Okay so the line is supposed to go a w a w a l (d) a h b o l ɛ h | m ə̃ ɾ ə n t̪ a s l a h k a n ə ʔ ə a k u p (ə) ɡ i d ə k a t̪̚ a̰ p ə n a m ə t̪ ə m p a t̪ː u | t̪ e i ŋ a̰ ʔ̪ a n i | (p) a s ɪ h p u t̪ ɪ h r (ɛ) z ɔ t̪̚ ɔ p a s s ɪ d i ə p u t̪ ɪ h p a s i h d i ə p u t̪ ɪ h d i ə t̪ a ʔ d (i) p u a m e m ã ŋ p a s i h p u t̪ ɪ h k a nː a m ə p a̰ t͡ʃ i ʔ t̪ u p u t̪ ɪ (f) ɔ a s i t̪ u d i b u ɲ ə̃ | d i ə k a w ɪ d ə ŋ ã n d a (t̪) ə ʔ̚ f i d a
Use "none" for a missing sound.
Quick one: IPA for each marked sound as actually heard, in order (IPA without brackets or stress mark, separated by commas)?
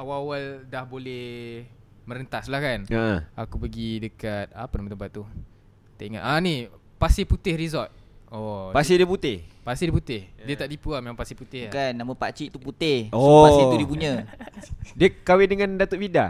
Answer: d, ə, p, i, i, h, t̪